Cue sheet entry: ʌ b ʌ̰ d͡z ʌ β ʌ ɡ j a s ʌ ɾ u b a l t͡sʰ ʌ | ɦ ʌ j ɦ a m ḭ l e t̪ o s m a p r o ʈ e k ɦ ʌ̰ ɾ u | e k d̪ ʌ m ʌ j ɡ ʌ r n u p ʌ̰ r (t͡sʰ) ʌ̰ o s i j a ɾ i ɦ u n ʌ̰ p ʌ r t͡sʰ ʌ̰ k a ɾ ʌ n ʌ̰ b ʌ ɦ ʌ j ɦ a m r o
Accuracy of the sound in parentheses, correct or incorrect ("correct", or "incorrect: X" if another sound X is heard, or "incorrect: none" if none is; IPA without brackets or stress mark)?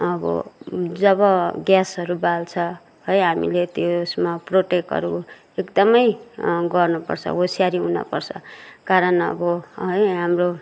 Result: correct